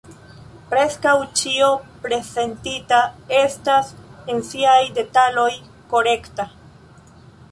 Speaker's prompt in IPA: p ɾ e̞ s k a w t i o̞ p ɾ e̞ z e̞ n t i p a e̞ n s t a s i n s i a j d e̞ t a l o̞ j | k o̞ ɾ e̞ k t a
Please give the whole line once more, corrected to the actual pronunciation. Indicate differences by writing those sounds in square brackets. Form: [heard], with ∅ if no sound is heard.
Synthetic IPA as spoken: p ɾ e̞ s k a w [t͡ʃ] i o̞ p ɾ e̞ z e̞ n t i [t] a e̞ [∅] s t a s [e] n s i a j d e̞ t a l o̞ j | k o̞ ɾ e̞ k t a